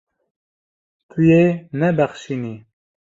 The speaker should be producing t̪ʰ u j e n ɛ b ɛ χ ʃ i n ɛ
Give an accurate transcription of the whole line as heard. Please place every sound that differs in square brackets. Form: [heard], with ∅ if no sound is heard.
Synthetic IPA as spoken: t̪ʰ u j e n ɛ b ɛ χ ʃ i n [i]